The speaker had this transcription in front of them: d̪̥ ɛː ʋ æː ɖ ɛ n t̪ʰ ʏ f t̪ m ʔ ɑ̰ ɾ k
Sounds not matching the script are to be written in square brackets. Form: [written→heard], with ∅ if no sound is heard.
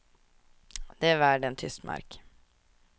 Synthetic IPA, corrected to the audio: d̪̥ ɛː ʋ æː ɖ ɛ n t̪ʰ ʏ [f→s] t̪ m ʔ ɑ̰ ɾ k